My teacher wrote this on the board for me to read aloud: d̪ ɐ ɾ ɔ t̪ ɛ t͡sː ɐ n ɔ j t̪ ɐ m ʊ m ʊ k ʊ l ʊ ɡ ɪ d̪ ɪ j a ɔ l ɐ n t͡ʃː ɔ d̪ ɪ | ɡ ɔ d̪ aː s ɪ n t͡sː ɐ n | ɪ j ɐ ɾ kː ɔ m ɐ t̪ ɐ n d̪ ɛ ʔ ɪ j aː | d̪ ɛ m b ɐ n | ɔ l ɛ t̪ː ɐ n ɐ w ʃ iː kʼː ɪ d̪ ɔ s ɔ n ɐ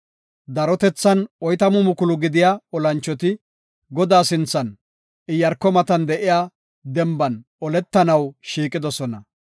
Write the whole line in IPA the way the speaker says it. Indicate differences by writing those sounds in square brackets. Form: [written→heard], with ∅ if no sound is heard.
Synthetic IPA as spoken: d̪ ɐ ɾ ɔ t̪ ɛ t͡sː ɐ n ɔ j t̪ ɐ m ʊ m ʊ k ʊ l ʊ ɡ ɪ d̪ ɪ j a ɔ l ɐ n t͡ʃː ɔ [d̪→t̪] ɪ | ɡ ɔ d̪ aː s ɪ n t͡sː ɐ n | ɪ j ɐ ɾ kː ɔ m ɐ t̪ ɐ n d̪ ɛ ʔ ɪ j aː | d̪ ɛ m b ɐ n | ɔ l ɛ t̪ː ɐ n ɐ w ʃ iː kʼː ɪ d̪ ɔ s ɔ n ɐ